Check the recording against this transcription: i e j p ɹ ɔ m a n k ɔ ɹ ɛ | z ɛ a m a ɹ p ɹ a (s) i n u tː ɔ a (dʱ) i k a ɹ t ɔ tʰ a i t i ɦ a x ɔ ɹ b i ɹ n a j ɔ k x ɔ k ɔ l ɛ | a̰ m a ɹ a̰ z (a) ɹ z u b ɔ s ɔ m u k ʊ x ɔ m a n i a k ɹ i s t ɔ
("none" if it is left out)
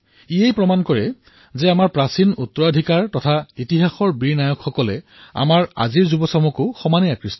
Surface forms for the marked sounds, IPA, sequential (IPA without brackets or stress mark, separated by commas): s, dʱ, i